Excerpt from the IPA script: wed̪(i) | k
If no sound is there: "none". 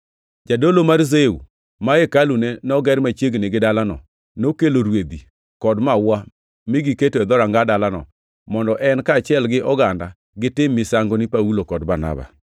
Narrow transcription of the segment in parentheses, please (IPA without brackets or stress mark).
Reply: i